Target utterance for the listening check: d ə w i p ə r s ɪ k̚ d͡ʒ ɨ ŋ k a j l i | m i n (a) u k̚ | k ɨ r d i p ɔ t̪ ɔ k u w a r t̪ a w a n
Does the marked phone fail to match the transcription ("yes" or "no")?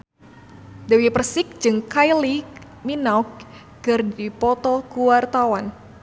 no